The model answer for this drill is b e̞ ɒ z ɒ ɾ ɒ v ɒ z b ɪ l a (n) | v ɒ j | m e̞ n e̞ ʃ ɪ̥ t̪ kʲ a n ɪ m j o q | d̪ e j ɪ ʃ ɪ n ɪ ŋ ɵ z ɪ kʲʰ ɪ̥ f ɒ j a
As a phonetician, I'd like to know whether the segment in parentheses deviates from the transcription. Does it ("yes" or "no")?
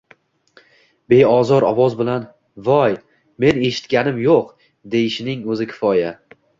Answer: no